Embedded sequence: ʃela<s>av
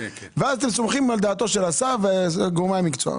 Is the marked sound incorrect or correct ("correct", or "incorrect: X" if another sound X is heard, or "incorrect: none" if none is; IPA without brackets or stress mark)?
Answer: correct